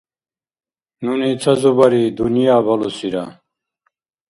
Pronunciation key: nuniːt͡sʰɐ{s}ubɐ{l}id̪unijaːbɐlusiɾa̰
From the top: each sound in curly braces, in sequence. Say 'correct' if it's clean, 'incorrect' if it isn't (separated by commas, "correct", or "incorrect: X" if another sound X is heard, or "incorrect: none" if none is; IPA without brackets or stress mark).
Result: incorrect: z, incorrect: ɾ